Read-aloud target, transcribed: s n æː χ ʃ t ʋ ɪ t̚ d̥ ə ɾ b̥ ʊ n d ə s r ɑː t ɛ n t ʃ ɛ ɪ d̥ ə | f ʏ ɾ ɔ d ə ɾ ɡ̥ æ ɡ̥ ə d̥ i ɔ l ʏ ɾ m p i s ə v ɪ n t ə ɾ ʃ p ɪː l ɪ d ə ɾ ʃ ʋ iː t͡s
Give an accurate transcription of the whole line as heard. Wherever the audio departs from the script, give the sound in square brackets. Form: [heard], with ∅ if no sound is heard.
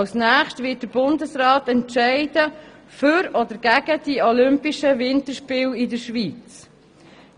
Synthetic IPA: s n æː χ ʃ t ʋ ɪ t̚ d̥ ə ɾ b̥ ʊ n d ə s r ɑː t ɛ n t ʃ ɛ ɪ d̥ ə | f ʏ ɾ ɔ d ə ɾ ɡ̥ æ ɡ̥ ə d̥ i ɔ l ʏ [∅] m p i [ʃ] ə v ɪ n t ə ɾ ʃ p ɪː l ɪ d ə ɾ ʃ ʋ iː t͡s